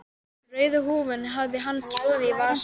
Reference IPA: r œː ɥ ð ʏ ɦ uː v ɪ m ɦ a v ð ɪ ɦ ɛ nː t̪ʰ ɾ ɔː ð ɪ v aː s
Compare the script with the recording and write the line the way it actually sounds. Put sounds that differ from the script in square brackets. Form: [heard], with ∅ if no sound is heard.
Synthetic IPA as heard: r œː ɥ ð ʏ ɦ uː v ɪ [n] ɦ a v ð ɪ ɦ [a] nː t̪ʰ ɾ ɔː ð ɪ v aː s